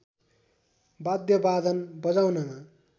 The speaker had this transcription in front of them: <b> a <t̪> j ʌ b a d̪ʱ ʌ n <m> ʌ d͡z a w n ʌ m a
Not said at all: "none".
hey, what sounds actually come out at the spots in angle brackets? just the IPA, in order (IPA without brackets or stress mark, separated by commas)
b, d̪, b